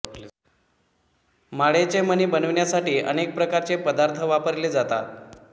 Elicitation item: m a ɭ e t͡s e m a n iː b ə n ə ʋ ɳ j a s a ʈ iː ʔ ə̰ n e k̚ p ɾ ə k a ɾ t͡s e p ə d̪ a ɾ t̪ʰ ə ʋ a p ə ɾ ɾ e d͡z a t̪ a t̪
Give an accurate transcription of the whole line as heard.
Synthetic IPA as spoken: m a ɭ e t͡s e m ə n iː b ə n ə ʋ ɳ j a s a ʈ iː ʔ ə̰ n e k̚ p ɾ ə k a ɾ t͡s e p ə d̪ a ɾ t̪ʰ ə ʋ a p ə ɾ l e d͡z a t̪ a t̪